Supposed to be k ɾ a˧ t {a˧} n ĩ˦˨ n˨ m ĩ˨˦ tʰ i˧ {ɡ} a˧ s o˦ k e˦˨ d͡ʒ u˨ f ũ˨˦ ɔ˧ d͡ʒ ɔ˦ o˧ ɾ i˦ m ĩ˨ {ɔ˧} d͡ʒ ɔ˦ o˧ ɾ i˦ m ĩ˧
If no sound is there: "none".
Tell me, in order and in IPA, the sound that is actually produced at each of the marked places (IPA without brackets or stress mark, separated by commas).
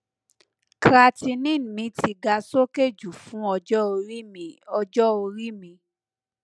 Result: i˧, ɡ, ɔ˧